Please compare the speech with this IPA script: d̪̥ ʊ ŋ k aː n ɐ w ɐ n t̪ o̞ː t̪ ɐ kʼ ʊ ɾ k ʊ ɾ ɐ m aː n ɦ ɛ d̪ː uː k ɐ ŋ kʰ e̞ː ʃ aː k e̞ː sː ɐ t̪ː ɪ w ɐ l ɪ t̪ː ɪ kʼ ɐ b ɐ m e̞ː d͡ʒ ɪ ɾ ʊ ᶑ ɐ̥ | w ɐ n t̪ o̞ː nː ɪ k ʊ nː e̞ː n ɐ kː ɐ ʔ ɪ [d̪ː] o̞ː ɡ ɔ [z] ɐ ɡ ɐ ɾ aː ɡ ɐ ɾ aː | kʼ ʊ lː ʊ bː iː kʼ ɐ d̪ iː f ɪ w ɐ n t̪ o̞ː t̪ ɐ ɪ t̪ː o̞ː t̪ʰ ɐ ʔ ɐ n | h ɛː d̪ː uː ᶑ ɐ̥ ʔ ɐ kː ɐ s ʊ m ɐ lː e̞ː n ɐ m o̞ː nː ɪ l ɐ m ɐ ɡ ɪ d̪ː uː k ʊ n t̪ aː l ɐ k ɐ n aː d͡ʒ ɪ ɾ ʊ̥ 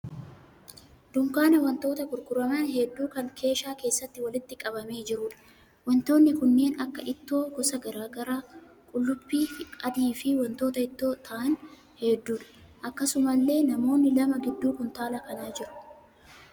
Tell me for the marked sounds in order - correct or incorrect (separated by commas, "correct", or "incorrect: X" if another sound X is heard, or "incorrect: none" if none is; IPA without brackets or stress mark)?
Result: incorrect: t̪ː, incorrect: s